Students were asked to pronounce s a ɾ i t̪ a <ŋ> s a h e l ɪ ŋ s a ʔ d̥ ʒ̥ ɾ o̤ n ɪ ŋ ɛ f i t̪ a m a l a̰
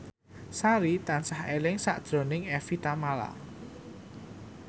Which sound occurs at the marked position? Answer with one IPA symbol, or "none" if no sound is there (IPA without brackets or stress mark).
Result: n